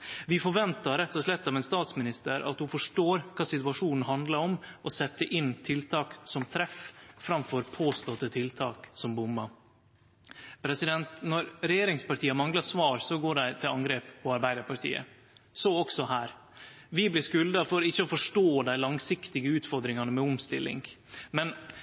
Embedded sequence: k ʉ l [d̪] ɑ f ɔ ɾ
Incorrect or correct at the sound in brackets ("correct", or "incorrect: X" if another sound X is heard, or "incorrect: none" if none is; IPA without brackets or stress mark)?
correct